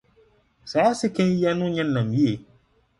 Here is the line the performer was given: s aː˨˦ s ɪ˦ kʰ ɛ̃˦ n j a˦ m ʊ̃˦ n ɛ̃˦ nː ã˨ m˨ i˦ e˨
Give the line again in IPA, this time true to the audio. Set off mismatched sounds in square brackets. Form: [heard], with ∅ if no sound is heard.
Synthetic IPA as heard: s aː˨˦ s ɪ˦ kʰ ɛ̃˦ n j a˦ [n] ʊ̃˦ [ɲ] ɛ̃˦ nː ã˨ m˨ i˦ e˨